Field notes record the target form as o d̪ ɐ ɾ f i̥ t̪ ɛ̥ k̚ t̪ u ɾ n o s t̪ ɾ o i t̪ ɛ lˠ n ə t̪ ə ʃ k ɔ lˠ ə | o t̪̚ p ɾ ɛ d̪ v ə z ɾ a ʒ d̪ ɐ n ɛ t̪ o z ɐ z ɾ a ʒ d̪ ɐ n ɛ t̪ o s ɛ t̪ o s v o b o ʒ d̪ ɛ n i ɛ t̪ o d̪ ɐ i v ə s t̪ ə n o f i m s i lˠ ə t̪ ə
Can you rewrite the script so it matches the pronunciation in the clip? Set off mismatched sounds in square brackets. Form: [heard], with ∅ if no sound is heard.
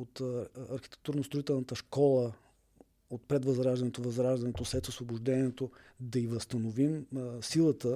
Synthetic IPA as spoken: o [t̪] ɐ ɾ [x] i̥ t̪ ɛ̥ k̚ t̪ u ɾ n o s t̪ ɾ o i t̪ ɛ lˠ n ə t̪ ə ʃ k ɔ lˠ ə | o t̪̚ p ɾ ɛ d̪ v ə z ɾ a ʒ d̪ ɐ n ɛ t̪ o [v] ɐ z ɾ a ʒ d̪ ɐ n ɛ t̪ o s ɛ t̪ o s v o b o ʒ d̪ ɛ n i ɛ t̪ o d̪ ɐ i v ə s t̪ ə n o [v] i m s i lˠ ə t̪ ə